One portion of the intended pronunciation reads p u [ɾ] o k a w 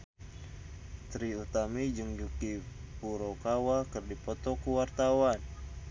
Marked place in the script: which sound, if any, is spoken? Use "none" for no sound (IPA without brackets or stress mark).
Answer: ɾ